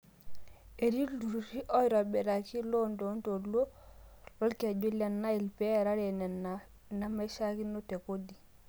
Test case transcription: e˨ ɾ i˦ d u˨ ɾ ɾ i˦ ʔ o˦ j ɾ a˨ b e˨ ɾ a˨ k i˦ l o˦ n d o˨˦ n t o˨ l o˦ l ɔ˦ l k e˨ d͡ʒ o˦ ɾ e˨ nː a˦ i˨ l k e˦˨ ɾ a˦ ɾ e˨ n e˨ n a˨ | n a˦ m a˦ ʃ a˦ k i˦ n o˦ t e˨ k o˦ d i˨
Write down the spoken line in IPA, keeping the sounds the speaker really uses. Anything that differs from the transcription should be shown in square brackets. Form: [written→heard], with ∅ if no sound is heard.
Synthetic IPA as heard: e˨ ɾ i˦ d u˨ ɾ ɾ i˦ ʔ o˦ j ɾ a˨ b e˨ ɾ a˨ k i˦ l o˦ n d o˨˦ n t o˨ l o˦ l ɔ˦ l k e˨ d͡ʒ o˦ [ɾ→l] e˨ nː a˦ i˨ l [k→p] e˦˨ ɾ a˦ ɾ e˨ n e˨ n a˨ | n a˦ m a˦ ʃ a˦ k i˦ n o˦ t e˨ k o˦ d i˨